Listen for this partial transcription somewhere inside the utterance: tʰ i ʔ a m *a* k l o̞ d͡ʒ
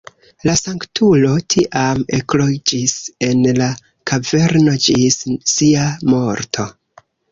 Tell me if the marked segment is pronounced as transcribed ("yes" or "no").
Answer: no